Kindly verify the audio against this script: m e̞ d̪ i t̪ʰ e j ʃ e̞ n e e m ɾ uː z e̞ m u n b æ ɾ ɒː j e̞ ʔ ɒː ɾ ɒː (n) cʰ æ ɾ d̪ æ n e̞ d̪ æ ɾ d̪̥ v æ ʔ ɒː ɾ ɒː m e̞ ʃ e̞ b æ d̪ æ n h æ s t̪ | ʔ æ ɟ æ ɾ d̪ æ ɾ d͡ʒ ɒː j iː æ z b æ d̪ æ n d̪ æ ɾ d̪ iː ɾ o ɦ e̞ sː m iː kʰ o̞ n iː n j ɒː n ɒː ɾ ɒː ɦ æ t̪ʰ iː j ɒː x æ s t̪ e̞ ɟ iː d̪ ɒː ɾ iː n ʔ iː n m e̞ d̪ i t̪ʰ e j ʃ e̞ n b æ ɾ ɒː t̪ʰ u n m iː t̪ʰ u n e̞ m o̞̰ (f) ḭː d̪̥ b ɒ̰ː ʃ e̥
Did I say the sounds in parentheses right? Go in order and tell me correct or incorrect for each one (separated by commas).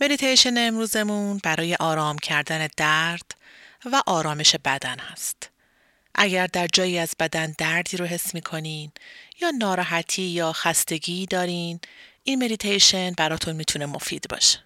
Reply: incorrect, correct